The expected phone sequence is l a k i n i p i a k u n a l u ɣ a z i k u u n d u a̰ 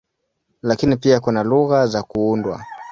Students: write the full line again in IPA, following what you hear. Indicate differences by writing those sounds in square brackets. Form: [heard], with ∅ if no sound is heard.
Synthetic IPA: l a k i n i p i a k u n a l u ɣ a z [a] k u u n d [w] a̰